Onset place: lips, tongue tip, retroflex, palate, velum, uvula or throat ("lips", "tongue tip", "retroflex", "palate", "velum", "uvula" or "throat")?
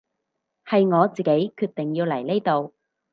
throat